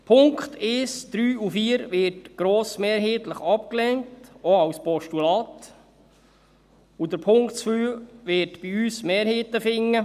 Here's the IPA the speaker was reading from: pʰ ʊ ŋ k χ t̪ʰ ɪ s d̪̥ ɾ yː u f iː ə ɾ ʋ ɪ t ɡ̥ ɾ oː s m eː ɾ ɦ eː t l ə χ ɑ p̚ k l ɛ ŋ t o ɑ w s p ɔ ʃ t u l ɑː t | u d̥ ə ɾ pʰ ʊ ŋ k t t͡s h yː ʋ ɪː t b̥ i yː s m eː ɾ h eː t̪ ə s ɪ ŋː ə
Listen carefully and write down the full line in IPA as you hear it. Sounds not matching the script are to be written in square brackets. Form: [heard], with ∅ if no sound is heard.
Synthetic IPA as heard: pʰ ʊ ŋ k χ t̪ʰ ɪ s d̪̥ ɾ yː u f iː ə ɾ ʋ ɪ t ɡ̥ ɾ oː s m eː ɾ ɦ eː t l ə χ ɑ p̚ k l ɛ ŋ t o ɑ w s p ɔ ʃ t u l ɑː t | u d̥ ə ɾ pʰ ʊ ŋ k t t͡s [f] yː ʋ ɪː t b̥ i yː s m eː ɾ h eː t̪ ə [f] ɪ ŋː ə